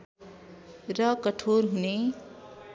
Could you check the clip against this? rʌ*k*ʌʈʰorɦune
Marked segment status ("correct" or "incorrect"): correct